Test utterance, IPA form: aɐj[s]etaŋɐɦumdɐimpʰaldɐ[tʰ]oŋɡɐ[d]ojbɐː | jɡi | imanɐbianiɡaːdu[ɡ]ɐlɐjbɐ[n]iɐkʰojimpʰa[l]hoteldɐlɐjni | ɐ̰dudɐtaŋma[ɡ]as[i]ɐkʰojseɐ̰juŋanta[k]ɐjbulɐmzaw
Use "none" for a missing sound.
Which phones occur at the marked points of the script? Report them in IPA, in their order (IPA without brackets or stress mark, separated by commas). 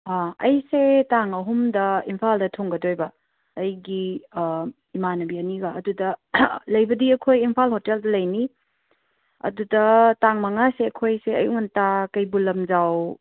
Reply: s, tʰ, d, d, d, l, ŋ, e, k